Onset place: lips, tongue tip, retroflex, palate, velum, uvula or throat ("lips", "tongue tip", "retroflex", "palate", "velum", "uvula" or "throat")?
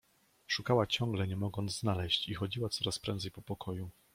retroflex